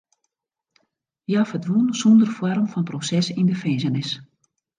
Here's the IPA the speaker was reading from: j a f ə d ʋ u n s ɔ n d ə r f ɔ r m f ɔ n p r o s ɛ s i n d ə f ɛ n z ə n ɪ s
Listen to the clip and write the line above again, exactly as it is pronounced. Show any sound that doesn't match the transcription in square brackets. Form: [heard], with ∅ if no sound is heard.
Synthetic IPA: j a f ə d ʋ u n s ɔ n d ə r f ɔ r m f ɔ n p r o s ɛ s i n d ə f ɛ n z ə n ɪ s